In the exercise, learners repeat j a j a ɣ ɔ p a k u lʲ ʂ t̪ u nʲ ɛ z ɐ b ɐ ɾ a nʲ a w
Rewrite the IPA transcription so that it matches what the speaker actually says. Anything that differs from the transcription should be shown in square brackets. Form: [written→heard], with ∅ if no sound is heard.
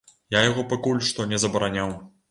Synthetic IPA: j a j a ɣ ɔ p a k u lʲ ʂ t̪ [u→ɔ] nʲ ɛ z ɐ b ɐ ɾ a nʲ a w